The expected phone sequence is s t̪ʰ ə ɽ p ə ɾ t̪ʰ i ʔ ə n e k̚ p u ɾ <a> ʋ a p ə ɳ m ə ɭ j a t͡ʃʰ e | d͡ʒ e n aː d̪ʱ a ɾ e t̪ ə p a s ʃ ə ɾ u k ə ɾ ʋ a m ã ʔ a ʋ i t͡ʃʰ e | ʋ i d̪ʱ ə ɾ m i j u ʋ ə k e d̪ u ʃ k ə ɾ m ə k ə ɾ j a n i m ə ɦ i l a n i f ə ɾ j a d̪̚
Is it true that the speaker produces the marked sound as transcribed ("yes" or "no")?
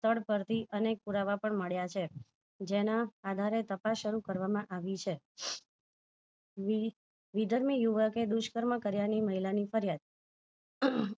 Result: yes